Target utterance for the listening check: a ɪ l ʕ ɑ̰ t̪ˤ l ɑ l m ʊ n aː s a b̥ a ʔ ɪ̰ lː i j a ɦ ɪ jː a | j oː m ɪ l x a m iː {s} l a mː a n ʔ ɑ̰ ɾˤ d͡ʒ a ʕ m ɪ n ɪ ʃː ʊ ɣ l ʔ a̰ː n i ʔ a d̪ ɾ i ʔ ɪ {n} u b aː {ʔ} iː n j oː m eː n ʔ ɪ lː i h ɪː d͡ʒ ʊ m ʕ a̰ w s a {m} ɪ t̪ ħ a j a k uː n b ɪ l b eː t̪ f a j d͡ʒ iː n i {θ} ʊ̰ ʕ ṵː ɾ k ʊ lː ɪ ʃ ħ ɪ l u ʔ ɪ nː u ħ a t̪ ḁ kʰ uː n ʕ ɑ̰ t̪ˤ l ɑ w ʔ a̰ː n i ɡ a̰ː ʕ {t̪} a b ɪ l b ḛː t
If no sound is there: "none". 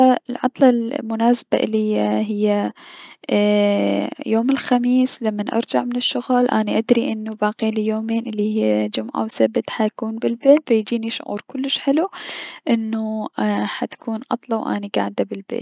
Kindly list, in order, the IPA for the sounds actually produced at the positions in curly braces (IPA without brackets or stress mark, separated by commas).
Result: s, nː, q, b, ʃ, d̪